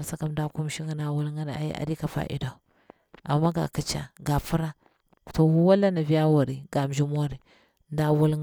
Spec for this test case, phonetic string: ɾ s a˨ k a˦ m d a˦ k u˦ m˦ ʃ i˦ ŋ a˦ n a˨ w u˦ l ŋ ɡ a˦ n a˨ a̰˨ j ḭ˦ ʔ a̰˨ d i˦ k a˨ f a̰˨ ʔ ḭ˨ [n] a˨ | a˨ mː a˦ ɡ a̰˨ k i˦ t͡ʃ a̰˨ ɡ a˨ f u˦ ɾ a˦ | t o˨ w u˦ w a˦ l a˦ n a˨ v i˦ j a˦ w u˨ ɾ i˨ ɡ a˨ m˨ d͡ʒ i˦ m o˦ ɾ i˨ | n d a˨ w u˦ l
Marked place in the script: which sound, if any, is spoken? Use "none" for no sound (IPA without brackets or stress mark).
d